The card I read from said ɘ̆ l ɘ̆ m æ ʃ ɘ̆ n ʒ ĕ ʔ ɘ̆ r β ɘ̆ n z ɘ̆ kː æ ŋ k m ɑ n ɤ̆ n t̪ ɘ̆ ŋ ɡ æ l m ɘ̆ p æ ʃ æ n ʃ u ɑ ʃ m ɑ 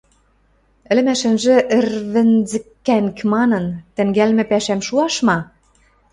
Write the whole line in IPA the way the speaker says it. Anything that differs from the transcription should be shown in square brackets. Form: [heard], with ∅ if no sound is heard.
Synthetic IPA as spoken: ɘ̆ l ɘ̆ m æ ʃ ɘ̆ n ʒ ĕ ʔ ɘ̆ r β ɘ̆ n z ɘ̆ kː æ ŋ k m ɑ n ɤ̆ n t̪ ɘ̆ ŋ ɡ æ l m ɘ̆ p æ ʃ æ [m] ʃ u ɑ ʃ m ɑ